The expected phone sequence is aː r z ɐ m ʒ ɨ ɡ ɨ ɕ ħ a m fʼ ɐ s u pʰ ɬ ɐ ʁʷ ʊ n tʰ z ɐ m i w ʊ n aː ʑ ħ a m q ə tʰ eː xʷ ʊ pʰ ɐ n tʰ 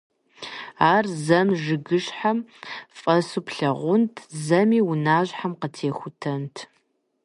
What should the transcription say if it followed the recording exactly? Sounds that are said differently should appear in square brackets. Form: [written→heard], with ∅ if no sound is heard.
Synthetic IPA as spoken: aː r z ɐ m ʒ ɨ ɡ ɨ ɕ ħ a m fʼ ɐ s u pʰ ɬ ɐ ʁʷ ʊ n tʰ z ɐ m [i→iː] w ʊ n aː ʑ ħ a m q ə tʰ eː xʷ ʊ [pʰ→tʰ] ɐ n tʰ